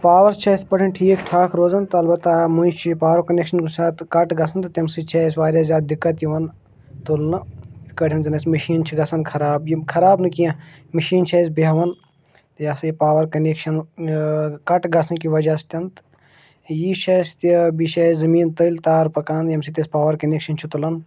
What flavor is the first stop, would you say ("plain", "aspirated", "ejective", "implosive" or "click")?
plain